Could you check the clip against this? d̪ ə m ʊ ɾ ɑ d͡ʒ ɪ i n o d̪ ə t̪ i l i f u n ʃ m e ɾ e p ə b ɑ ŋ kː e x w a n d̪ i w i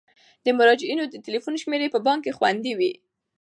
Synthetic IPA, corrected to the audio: d̪ ə m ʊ ɾ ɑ d͡ʒ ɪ i n o d̪ ə t̪ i l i f u n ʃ m e ɾ e p ə b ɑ ŋ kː e x w a n d̪ i w i